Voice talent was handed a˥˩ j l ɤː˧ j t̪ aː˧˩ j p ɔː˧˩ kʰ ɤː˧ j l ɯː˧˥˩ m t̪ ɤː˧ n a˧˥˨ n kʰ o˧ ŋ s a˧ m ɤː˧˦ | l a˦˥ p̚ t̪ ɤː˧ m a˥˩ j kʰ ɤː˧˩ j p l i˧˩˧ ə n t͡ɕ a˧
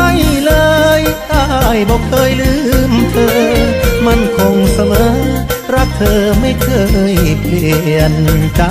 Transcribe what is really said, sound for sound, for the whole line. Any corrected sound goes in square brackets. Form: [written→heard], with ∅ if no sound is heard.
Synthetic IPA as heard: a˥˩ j l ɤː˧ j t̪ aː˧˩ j [p→b] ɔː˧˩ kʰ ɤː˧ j l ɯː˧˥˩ m [t̪→t̪ʰ] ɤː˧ [n→m] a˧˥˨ n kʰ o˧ ŋ s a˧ m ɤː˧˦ | [l→ɾ] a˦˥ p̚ [t̪→t̪ʰ] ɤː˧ m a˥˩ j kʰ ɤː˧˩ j p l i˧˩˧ ə n t͡ɕ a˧